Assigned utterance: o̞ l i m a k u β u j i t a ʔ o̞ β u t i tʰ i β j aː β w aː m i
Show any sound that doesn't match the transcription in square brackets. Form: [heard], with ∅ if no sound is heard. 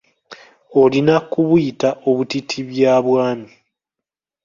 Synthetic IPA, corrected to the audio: o̞ l i [n] a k u β u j i t a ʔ o̞ β u t i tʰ i β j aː β w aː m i